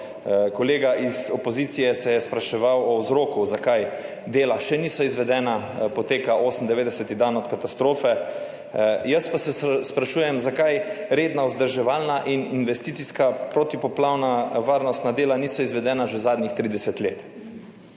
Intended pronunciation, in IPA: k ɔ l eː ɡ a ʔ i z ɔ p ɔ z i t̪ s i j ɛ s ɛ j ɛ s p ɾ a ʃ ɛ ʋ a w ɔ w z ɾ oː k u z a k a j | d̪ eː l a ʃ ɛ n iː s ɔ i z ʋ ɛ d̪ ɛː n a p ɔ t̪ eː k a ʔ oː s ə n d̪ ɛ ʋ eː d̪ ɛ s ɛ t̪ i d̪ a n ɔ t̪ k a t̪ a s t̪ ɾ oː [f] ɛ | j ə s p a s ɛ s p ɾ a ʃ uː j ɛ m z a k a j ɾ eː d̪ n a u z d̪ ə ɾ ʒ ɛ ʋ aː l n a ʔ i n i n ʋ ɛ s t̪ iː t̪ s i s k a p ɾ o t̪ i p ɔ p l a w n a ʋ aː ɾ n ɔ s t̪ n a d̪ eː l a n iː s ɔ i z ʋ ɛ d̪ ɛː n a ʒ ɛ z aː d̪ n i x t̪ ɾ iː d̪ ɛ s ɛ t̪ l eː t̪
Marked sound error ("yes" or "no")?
no